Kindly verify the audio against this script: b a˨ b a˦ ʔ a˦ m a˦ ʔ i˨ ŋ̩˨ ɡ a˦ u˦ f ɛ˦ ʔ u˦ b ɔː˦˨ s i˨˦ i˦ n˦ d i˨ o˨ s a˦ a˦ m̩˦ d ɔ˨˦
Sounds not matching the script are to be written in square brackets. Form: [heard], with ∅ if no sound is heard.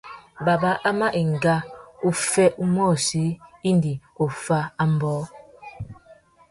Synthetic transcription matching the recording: b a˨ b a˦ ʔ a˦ m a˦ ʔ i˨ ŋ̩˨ ɡ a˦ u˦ f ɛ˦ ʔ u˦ [m] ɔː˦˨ s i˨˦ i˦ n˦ d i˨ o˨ [f] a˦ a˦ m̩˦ [b] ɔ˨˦